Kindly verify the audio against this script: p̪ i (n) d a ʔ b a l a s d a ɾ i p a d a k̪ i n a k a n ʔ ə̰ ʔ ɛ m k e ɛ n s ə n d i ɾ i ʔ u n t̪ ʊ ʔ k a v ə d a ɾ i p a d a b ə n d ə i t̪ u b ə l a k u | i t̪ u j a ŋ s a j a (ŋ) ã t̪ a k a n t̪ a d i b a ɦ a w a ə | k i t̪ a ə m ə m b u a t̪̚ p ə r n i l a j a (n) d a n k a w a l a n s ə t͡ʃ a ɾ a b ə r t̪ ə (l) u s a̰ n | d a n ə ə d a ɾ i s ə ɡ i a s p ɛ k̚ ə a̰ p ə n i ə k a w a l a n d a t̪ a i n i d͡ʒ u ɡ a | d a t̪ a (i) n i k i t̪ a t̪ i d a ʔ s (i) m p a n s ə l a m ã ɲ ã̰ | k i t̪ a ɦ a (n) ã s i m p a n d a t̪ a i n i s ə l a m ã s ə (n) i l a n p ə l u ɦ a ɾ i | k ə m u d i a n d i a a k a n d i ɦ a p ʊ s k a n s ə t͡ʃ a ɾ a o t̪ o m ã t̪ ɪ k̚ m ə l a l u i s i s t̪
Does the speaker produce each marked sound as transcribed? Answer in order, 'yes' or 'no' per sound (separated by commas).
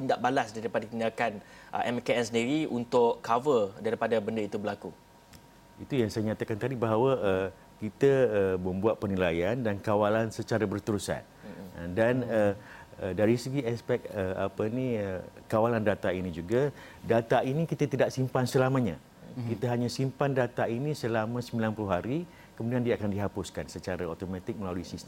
yes, no, yes, no, yes, yes, no, no